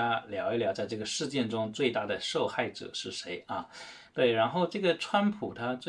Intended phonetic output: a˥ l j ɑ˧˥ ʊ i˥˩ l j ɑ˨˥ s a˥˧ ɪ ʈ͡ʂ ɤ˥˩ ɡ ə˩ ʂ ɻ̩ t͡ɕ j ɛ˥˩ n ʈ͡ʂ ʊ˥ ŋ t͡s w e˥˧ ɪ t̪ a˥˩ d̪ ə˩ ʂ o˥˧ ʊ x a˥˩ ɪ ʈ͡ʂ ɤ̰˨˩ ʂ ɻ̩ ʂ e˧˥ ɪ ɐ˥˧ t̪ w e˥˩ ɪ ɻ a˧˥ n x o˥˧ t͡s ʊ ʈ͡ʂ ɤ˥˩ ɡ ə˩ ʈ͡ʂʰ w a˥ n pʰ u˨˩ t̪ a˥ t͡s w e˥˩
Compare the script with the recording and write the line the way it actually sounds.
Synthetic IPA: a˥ l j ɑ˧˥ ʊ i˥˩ l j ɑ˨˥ t͡s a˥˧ ɪ ʈ͡ʂ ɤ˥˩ ɡ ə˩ ʂ ɻ̩ t͡ɕ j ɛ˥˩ n ʈ͡ʂ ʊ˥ ŋ t͡s w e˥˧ ɪ t̪ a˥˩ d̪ ə˩ ʂ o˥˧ ʊ x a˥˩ ɪ ʈ͡ʂ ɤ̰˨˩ ʂ ɻ̩ ʂ e˧˥ ɪ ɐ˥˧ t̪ w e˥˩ ɪ ɻ a˧˥ n x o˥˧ ʊ ʈ͡ʂ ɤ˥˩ ɡ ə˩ ʈ͡ʂʰ w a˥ n pʰ u˨˩ t̪ʰ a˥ t͡s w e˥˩